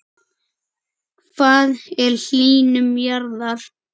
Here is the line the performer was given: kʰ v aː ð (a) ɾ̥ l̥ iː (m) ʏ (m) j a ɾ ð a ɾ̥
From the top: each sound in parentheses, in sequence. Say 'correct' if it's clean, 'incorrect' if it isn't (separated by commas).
incorrect, incorrect, correct